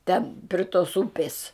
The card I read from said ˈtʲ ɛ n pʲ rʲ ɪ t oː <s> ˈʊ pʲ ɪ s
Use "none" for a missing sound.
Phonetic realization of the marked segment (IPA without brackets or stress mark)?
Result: s